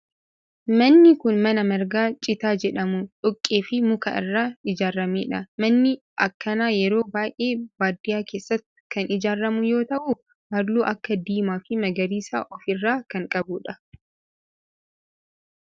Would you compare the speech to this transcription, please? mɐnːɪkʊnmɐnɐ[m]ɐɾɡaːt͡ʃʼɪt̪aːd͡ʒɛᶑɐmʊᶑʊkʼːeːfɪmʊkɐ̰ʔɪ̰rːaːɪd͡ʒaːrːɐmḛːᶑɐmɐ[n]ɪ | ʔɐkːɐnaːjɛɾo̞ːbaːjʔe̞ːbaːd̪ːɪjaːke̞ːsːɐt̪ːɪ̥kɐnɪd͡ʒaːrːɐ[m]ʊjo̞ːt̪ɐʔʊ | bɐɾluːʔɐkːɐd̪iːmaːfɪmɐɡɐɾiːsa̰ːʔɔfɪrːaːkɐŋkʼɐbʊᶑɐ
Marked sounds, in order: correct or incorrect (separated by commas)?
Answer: correct, incorrect, correct